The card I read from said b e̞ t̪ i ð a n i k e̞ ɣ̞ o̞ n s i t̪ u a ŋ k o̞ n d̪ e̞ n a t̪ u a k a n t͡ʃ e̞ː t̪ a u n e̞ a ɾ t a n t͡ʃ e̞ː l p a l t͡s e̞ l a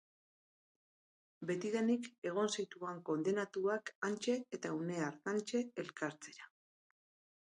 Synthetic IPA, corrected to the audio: b e̞ t̪ i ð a n i k e̞ ɣ̞ o̞ n s i t̪ u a ŋ k o̞ n d̪ e̞ n a t̪ u a k a n t͡ʃ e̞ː t̪ a u n e̞ a ɾ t a n t͡ʃ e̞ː l k a ɾ t͡s e̞ ɾ a